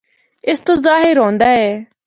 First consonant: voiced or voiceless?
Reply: voiceless